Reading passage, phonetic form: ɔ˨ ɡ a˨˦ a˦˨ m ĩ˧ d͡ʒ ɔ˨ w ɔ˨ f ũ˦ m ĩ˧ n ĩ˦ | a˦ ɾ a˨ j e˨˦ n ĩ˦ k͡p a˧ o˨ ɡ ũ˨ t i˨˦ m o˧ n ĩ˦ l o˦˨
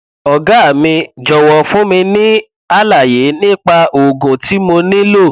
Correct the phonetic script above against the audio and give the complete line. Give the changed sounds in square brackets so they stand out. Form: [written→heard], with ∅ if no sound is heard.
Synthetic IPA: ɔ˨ ɡ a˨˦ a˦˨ m ĩ˧ d͡ʒ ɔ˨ w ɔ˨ f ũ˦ m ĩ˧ n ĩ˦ | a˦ [ɾ→l] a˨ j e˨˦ n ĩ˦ k͡p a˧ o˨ ɡ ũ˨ t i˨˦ m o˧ n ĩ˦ l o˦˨